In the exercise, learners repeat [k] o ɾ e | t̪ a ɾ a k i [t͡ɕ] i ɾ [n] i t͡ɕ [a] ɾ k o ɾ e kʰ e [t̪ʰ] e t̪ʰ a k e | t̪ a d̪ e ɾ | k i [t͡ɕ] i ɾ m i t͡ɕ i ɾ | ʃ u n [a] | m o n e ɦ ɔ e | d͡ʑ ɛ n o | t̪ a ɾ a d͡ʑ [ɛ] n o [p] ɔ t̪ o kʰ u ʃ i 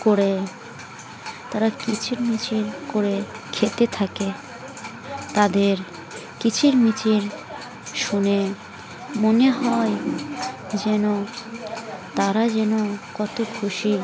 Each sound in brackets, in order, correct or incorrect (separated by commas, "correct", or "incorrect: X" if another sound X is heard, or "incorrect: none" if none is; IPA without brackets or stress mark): correct, incorrect: t͡ɕʰ, incorrect: m, incorrect: i, incorrect: t̪, incorrect: t͡ɕʰ, incorrect: e, correct, incorrect: k